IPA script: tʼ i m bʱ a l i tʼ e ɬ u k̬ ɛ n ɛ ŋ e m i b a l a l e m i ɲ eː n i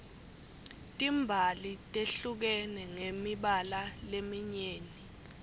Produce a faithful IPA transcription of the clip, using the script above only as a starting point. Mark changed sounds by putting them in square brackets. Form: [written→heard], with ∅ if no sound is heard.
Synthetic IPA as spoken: tʼ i m bʱ a l i tʼ e ɬ u k̬ ɛ n ɛ ŋ e m i [b→ɓ] a l a l e m i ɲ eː n i